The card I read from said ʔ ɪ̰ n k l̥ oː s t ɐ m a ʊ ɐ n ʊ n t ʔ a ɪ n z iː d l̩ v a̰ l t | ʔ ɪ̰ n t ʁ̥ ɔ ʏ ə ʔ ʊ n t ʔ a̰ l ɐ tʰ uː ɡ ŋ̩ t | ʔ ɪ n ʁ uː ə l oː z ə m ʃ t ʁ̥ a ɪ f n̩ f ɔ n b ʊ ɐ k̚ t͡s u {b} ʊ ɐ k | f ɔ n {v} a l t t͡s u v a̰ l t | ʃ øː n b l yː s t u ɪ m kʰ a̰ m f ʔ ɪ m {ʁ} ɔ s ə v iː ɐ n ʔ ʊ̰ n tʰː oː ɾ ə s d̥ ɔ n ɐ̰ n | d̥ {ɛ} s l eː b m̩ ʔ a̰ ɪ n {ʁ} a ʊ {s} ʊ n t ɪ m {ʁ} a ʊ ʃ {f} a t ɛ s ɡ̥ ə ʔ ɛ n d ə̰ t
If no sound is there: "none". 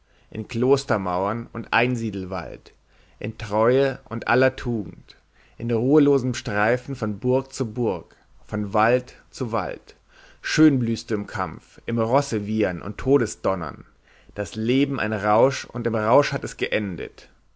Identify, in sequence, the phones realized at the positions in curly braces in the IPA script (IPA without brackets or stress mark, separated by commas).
b, v, ʁ, a, ʁ, ʃ, ʁ, h